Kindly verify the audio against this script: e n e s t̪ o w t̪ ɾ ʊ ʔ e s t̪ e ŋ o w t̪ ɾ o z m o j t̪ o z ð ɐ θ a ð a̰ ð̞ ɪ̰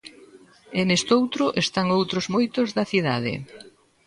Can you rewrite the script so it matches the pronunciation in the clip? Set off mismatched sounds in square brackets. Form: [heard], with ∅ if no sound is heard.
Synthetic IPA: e n e s t̪ o w t̪ ɾ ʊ ʔ e s t̪ [a] ŋ o w t̪ ɾ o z m o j t̪ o z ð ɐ θ [i] ð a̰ ð̞ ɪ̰